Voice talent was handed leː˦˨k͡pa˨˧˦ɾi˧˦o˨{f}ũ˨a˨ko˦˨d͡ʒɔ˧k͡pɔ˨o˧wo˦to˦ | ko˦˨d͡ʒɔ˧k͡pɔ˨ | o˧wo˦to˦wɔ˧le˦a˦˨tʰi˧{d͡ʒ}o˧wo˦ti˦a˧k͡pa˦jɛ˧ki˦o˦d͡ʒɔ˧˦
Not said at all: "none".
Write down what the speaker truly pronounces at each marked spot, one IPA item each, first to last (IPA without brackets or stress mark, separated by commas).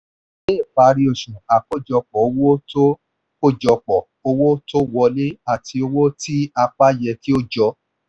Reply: ʃ, none